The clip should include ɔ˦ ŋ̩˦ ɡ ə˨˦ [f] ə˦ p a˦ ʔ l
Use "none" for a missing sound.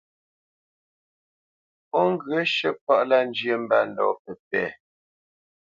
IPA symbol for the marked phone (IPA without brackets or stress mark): ʃ